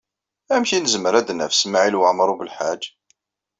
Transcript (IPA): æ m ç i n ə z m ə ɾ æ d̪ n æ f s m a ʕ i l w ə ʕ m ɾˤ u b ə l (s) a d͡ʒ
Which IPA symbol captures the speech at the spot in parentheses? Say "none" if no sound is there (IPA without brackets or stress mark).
ħ